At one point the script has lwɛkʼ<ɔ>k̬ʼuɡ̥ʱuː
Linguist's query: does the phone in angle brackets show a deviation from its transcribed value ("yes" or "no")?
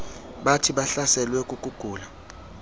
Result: yes